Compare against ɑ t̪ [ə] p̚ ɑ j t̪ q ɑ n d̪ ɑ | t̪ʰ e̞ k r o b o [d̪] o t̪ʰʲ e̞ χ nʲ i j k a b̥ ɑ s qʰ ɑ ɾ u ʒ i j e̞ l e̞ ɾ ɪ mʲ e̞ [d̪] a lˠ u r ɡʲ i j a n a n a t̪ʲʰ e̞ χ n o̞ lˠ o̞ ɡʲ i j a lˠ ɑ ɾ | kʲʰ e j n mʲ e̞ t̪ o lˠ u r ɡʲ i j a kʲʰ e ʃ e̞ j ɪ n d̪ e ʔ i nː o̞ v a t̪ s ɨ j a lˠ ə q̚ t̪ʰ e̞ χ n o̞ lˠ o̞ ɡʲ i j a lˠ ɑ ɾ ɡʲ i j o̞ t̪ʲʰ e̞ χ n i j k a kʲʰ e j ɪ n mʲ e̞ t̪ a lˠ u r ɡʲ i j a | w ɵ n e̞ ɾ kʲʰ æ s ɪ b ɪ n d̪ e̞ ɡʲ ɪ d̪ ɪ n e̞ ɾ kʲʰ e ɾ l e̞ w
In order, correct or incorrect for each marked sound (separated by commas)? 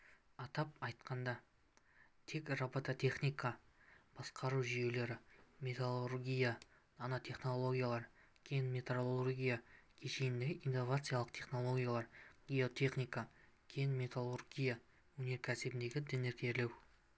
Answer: incorrect, incorrect, incorrect